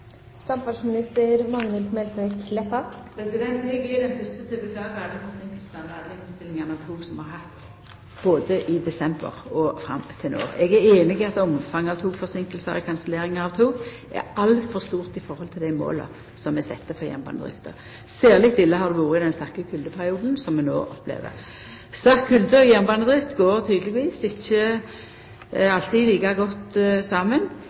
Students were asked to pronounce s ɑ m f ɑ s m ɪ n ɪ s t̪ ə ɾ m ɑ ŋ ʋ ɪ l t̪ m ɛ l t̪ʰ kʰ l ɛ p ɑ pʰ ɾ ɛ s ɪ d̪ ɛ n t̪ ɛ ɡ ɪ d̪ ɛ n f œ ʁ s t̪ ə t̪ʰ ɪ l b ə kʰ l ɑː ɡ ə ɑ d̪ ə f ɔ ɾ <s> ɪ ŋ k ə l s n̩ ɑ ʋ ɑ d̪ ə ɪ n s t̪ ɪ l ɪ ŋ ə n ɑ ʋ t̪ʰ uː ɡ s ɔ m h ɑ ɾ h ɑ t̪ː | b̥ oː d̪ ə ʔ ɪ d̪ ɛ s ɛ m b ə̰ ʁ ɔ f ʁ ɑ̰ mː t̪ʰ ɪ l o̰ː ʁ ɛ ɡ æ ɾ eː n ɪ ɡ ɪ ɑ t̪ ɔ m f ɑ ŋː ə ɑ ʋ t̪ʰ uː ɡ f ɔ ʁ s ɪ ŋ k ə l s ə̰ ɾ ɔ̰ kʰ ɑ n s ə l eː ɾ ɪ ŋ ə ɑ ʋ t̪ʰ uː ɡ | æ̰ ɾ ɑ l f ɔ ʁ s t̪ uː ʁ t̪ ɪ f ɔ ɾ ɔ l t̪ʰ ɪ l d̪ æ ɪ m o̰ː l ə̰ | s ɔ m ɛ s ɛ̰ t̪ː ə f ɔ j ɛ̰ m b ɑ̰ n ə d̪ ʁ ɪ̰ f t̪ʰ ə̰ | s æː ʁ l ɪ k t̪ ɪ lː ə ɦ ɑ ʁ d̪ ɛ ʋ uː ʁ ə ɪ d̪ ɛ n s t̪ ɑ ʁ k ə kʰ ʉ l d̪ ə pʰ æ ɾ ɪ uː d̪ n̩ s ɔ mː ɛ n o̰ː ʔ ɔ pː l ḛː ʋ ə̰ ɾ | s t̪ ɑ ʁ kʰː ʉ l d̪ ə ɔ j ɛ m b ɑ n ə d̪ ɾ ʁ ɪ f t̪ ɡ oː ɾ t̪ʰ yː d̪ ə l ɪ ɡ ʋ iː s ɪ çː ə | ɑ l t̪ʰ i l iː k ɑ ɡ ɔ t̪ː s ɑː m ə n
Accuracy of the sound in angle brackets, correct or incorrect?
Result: correct